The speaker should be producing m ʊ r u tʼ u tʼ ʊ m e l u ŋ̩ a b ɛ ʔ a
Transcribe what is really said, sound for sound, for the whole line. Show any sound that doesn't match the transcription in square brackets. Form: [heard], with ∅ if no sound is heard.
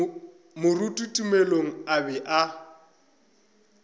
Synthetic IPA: m ʊ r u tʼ u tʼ [u] m e l [o] ŋ̩ a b ɛ ʔ a